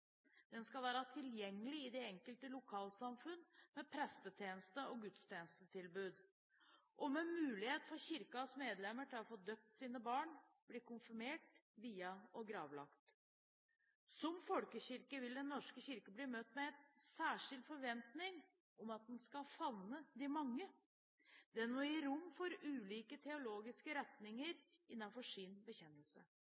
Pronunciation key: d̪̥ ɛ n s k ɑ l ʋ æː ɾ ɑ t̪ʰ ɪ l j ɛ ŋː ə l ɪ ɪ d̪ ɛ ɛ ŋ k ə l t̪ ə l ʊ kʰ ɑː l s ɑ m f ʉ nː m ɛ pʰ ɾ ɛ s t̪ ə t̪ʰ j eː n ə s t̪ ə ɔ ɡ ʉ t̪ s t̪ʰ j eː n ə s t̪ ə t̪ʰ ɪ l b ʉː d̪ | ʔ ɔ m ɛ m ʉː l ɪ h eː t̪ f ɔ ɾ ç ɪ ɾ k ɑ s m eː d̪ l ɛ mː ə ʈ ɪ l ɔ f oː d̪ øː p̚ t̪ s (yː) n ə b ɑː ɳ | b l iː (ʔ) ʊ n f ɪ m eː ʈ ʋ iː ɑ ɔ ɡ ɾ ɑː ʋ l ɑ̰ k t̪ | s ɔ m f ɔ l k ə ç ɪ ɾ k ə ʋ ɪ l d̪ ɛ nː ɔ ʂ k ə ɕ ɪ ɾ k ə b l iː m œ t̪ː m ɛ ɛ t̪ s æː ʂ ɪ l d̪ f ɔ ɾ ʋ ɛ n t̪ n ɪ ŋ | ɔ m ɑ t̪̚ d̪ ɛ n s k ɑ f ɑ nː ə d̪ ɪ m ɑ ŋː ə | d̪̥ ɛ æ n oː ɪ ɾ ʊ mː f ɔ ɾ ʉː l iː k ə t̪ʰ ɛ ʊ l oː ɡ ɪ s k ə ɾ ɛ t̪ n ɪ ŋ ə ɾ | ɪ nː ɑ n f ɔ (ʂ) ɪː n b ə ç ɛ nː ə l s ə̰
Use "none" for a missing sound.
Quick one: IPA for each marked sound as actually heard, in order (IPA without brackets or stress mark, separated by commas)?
iː, k, ʂ